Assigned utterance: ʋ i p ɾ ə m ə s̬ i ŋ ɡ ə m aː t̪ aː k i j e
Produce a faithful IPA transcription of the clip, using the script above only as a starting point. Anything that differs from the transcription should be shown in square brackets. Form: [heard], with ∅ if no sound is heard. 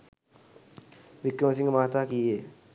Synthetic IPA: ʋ i [k] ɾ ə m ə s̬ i ŋ ɡ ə m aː t̪ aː k i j e

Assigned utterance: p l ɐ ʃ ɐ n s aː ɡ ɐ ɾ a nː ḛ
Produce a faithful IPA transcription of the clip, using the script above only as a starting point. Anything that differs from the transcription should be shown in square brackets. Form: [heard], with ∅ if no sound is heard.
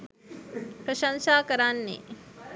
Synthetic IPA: p [ɾ] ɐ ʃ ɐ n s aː [k] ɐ ɾ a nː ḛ

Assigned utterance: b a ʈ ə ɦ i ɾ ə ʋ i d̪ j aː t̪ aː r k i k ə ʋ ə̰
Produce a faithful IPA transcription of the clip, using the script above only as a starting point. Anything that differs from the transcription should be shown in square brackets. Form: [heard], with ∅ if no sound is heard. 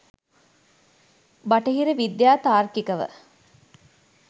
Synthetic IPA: b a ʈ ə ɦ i ɾ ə ʋ i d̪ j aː t̪ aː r k i k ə ʋ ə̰

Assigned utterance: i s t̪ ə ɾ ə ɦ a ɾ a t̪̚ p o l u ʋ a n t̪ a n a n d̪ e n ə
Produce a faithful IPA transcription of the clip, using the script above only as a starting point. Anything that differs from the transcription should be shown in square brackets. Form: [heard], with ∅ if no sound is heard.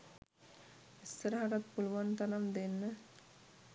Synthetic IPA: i s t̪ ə ɾ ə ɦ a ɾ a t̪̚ p [u] l u ʋ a n t̪ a n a [m] d̪ e [nː] ə

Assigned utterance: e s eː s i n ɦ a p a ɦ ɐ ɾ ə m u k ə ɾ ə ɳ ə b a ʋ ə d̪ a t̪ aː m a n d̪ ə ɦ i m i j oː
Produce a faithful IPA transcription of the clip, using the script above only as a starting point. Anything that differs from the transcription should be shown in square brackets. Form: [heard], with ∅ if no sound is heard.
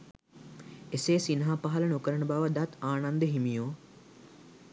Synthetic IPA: e s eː s i n ɦ a p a ɦ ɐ [l] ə [n] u k ə ɾ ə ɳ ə b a ʋ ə d̪ a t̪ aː [n] a n d̪ ə ɦ i m i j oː

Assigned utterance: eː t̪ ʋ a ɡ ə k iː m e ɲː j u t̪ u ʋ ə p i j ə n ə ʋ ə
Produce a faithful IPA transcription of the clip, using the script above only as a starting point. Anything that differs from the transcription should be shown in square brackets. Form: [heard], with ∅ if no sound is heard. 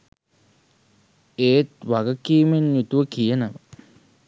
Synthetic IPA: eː t̪ ʋ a ɡ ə k iː m e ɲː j u t̪ u ʋ ə [k] i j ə n ə ʋ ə

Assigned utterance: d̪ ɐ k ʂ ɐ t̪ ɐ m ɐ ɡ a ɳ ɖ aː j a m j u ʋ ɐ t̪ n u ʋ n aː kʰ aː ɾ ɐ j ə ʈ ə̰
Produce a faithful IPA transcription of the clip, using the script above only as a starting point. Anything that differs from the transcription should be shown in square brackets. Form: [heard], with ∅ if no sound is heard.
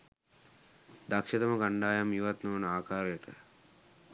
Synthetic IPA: d̪ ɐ k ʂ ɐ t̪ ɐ m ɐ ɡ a ɳ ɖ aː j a m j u ʋ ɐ t̪ n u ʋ n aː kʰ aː ɾ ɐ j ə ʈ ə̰

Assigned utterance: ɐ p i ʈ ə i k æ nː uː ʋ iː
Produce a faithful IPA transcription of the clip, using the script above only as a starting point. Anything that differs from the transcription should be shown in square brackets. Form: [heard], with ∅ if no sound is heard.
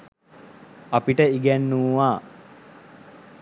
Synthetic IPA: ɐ p i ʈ ə i [ɡ] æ nː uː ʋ [aː]

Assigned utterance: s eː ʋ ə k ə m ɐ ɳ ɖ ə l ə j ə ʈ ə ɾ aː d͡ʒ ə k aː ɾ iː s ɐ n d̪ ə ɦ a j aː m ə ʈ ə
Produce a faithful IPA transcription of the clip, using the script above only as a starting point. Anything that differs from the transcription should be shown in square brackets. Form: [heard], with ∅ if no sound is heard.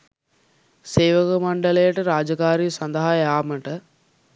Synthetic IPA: s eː ʋ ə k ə m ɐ ɳ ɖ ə l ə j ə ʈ ə ɾ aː d͡ʒ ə k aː ɾ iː s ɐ n d̪ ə ɦ a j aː m ə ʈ ə

